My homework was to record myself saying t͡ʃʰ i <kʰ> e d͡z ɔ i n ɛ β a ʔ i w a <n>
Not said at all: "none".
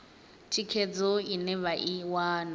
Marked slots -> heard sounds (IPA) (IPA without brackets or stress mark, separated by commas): kʰ, n